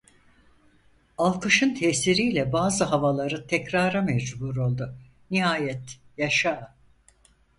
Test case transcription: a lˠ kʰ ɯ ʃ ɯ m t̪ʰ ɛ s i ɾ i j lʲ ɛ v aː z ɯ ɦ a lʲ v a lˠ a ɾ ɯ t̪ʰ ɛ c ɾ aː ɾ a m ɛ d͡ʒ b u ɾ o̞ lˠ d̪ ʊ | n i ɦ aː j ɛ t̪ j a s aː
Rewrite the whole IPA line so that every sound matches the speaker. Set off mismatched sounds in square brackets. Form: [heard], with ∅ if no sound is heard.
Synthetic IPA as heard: a lˠ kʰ ɯ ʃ ɯ [n] t̪ʰ ɛ s i ɾ i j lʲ ɛ [b] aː z ɯ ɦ a [∅] v a lˠ a ɾ ɯ t̪ʰ ɛ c ɾ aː ɾ a m ɛ d͡ʒ b u ɾ o̞ lˠ d̪ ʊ | n i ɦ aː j ɛ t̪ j a [ʃ] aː